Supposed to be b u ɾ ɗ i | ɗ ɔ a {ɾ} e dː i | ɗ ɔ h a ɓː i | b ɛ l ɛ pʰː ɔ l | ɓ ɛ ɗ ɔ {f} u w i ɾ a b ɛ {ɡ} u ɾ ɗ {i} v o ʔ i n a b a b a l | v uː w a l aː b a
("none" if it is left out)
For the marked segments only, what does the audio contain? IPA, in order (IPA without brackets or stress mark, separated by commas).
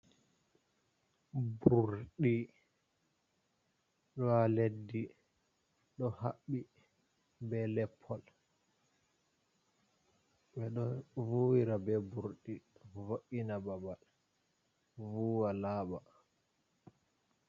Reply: l, v, b, i